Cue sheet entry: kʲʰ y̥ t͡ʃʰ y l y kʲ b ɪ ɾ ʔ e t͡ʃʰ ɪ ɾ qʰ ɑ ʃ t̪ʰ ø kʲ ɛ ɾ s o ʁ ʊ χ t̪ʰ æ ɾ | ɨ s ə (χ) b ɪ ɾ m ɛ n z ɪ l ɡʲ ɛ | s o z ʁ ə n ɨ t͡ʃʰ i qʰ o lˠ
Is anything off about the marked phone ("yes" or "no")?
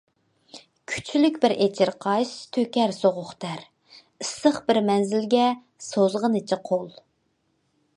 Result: no